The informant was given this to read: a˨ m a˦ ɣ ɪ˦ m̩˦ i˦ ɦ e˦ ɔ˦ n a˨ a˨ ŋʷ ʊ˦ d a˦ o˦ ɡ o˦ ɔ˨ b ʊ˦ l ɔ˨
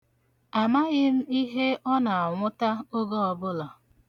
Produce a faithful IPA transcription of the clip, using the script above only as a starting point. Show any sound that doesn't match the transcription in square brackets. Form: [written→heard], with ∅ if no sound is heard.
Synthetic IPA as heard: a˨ m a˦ ɣ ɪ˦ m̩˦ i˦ ɦ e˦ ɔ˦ n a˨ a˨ ŋʷ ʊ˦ [d→t] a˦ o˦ ɡ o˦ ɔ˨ b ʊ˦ l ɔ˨